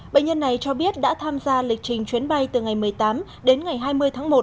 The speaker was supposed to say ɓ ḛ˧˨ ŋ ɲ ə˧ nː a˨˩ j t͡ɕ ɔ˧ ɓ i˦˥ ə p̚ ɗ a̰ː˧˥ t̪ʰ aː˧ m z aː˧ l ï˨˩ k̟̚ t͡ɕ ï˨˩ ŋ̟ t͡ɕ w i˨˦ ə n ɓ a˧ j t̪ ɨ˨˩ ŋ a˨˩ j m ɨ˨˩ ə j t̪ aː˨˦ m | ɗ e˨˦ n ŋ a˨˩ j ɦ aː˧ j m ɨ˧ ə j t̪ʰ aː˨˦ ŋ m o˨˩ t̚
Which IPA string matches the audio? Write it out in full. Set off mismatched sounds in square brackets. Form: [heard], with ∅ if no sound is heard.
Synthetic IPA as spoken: ɓ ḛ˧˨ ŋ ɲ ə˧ nː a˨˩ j t͡ɕ ɔ˧ ɓ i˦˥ ə [t̚] ɗ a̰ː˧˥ t̪ʰ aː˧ m z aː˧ l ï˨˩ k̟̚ t͡ɕ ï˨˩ ŋ̟ t͡ɕ w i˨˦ ə n ɓ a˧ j t̪ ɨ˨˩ ŋ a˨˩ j m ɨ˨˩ ə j t̪ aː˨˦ m | ɗ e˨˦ n ŋ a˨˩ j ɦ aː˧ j m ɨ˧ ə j t̪ʰ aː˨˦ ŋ m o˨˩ t̚